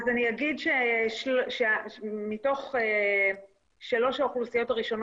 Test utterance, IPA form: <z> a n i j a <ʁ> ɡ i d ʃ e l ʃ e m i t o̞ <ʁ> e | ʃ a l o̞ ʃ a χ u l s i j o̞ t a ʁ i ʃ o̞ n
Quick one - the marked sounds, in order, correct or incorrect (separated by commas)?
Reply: correct, incorrect, incorrect